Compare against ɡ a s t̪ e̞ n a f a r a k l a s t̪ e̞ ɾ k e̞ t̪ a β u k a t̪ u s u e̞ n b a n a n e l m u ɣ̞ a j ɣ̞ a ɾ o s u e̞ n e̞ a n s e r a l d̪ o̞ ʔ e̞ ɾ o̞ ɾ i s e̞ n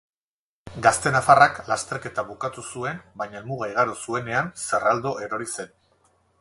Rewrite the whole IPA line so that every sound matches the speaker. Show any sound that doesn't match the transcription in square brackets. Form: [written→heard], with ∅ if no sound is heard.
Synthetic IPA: ɡ a s t̪ e̞ n a f a r a k l a s t̪ e̞ ɾ k e̞ t̪ a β u k a t̪ u s u e̞ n b a [n→ɲ] a [n→∅] e l m u ɣ̞ a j ɣ̞ a ɾ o s u e̞ n e̞ a n s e r a l d̪ o̞ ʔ e̞ ɾ o̞ ɾ i s e̞ n

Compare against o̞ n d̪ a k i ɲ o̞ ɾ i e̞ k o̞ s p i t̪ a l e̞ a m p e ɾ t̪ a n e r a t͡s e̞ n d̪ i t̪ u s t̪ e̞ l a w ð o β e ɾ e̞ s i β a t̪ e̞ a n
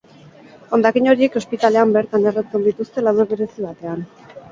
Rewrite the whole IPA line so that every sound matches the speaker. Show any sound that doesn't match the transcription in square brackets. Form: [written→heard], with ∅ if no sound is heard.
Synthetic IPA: o̞ n d̪ a k i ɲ o̞ ɾ i e̞ k o̞ s p i t̪ a l e̞ a m [p→b] e ɾ t̪ a n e r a t͡s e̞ n d̪ i t̪ u s t̪ e̞ l a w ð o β e ɾ e̞ s i β a t̪ e̞ a n

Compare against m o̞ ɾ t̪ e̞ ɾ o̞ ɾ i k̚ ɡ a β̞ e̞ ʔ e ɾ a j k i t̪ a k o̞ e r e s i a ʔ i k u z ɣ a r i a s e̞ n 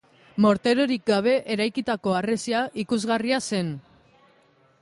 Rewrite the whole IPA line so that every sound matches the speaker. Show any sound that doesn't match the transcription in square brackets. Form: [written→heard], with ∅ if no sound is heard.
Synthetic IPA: m o̞ ɾ t̪ e̞ ɾ o̞ ɾ i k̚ ɡ a β̞ e̞ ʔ e ɾ a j k i t̪ a k o̞ [e→a] r e s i a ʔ i k u z ɣ a r i a s e̞ n

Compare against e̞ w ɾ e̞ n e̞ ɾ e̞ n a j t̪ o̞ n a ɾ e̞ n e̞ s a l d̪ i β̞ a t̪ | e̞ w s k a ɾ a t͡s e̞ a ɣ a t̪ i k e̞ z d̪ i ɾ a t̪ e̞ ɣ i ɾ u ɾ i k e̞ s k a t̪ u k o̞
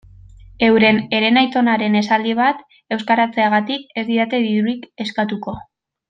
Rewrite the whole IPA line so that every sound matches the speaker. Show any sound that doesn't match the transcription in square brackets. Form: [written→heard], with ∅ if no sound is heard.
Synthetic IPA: e̞ w ɾ e̞ n e̞ ɾ e̞ n a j t̪ o̞ n a ɾ e̞ n e̞ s a l d̪ i β̞ a t̪ | e̞ w s k a ɾ a t͡s e̞ a ɣ a t̪ i k e̞ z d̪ i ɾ a t̪ e̞ [ɣ→ð] i ɾ u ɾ i k e̞ s k a t̪ u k o̞

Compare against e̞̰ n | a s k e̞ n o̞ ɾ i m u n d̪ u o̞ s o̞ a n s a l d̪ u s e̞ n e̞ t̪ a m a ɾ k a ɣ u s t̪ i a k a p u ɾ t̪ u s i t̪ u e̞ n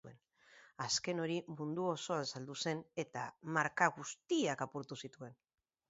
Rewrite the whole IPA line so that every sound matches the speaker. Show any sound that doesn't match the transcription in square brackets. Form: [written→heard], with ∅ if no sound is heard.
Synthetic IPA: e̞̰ n | a s k e̞ n o̞ ɾ i m u n d̪ u o̞ s o̞ a n s a l d̪ u s e̞ n e̞ t̪ a m a ɾ k a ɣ u s t̪ i a k a p u ɾ t̪ u s i t̪ u e̞ n

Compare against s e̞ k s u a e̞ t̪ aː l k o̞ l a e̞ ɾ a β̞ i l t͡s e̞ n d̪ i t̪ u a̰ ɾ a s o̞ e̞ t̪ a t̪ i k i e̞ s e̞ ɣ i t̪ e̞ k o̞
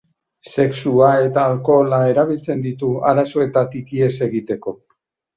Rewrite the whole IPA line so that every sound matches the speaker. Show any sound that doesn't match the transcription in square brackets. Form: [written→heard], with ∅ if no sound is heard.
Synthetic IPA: s e̞ k s u a e̞ t̪ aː l k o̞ l a e̞ ɾ a β̞ i l t͡s e̞ n d̪ i t̪ u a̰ ɾ a s o̞ e̞ t̪ a t̪ i k i e̞ s e̞ ɣ i t̪ e̞ k o̞

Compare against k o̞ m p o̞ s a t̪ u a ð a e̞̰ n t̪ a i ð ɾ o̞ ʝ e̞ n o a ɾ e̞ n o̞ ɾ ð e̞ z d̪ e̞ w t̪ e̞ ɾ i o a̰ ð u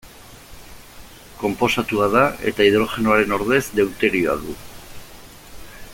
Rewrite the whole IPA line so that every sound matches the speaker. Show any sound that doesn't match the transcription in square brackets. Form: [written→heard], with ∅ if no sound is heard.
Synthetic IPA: k o̞ m p o̞ s a t̪ u a ð a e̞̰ [n→∅] t̪ a i ð ɾ o̞ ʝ e̞ n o a ɾ e̞ n o̞ ɾ ð e̞ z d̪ e̞ w t̪ e̞ ɾ i o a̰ ð u

